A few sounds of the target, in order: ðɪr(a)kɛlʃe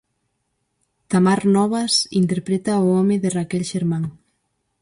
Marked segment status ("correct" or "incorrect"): correct